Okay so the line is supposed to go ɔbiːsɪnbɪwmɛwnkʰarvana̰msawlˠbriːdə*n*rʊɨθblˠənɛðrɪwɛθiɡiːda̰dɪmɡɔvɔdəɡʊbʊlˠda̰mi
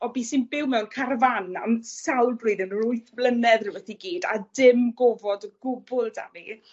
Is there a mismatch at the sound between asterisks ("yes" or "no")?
no